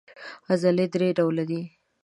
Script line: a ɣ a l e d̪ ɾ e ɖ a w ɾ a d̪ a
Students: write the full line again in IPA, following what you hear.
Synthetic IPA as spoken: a z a l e d̪ ɾ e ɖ a w l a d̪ i

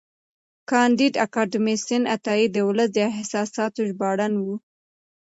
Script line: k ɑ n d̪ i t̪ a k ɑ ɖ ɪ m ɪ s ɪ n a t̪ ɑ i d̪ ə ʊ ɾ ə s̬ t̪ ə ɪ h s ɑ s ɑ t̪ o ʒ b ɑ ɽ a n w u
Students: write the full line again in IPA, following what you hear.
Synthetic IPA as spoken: k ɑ n d̪ i d̪ a k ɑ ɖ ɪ m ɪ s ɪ n a t̪ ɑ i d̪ ə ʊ l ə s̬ d̪ ə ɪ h s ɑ s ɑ t̪ o ʒ b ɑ ɽ a n w u

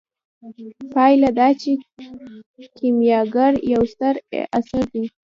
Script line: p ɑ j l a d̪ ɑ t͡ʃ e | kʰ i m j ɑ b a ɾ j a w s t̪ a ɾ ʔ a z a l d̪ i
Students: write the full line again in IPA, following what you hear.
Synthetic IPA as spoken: p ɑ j l a d̪ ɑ t͡ʃ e | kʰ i m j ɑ ɡ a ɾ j a w s t̪ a ɾ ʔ a s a ɾ d̪ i

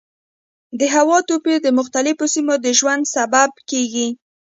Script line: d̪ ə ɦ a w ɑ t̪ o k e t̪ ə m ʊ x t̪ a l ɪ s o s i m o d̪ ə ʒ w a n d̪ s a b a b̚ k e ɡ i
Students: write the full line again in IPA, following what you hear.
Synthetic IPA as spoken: d̪ ə ɦ a w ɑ t̪ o p e d̪ ə m ʊ x t̪ a l ɪ f o s i m o d̪ ə ʒ w a n d̪ s a b a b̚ k e ɡ i

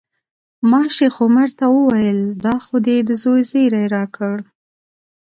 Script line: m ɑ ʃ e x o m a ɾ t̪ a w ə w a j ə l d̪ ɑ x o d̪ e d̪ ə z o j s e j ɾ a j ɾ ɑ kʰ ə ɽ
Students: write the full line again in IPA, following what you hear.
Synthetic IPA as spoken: m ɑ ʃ e x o m a ɾ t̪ a w ə w a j ə l d̪ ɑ x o d̪ e d̪ ə z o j z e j ɾ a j ɾ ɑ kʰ ə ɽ

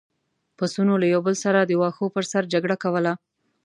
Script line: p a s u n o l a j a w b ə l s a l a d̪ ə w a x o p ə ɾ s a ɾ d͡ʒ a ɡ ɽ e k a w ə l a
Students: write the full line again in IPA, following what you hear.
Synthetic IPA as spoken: p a s u n o l a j a w b ə l s a ɾ a d̪ ə w ɑ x o p ə ɾ s a ɾ d͡ʒ a ɡ ɽ a k a w ə l a

